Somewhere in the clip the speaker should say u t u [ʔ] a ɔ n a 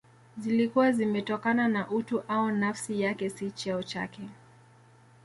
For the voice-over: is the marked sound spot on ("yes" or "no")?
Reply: yes